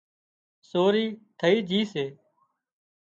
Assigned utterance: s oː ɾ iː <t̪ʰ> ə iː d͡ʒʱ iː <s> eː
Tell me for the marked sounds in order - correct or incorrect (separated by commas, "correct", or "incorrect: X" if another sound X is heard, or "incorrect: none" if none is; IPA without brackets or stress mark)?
correct, correct